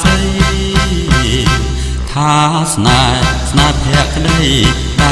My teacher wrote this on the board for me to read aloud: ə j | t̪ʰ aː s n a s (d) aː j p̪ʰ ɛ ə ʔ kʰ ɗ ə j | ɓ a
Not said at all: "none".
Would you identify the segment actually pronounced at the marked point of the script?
n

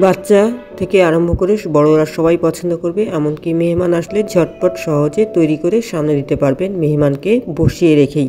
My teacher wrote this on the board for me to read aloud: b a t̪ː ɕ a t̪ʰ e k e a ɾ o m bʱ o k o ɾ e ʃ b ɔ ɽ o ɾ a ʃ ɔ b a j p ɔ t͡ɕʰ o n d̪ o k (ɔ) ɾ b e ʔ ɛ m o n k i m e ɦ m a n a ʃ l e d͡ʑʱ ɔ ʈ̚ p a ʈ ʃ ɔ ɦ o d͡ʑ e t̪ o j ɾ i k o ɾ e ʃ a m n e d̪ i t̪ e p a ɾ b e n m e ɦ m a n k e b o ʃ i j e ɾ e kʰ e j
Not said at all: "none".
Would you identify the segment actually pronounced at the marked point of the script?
o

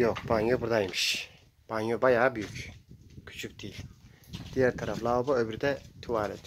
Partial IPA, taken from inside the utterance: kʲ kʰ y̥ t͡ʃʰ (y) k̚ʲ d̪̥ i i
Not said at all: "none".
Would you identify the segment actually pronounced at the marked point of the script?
y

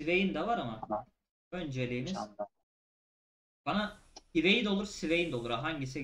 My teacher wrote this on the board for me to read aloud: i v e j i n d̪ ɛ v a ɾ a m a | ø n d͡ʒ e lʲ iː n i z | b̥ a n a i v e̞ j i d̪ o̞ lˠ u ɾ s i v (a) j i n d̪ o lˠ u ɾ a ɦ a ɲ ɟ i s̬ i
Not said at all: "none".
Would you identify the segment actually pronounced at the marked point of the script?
e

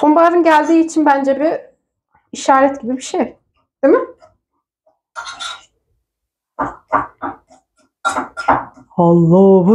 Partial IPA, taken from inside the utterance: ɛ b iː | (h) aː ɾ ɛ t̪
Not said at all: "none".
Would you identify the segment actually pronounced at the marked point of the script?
ʃ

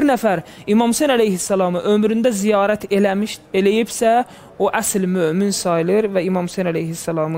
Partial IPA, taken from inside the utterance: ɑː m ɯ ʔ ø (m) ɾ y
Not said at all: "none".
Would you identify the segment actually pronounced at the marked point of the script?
m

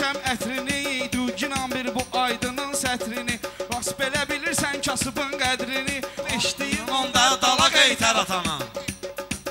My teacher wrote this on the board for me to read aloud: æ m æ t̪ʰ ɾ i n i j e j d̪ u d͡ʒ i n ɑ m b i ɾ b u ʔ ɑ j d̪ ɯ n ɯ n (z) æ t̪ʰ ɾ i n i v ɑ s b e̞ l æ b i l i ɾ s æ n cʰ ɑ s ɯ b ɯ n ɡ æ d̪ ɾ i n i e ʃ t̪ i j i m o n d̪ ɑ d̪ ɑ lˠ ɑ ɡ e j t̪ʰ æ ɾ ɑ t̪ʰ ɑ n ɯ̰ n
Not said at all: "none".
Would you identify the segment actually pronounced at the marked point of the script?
s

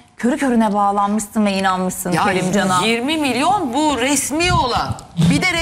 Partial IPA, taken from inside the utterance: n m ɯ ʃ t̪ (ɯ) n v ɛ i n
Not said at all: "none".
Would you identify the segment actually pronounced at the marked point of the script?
ɯ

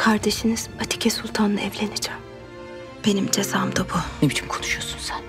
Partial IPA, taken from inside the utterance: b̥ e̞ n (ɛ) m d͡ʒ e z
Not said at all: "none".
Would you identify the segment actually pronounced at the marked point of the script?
i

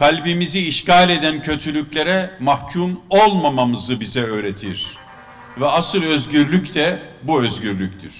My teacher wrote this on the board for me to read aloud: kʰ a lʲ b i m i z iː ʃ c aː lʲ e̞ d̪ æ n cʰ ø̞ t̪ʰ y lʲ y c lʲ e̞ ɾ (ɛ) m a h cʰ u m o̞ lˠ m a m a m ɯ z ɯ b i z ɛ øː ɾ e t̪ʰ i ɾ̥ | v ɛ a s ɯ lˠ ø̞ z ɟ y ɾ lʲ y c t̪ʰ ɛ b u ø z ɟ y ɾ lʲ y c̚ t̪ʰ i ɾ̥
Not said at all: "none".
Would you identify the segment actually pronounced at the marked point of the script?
ɛ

